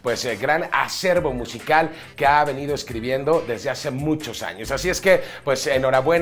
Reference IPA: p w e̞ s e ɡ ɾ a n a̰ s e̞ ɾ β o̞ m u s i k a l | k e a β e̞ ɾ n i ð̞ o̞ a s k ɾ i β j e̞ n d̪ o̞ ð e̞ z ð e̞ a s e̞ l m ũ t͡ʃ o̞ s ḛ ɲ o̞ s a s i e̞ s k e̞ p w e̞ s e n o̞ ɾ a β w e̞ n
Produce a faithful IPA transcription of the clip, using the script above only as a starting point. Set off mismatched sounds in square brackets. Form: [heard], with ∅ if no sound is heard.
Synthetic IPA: p w e̞ s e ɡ ɾ a n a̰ s e̞ ɾ β o̞ m u s i k a l | k e a β e̞ [∅] n i ð̞ o̞ [e] s k ɾ i β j e̞ n d̪ o̞ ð e̞ z ð e̞ a s e̞ [∅] m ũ t͡ʃ o̞ s [a̰] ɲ o̞ s a s i e̞ s k e̞ p w e̞ s e n o̞ ɾ a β w e̞ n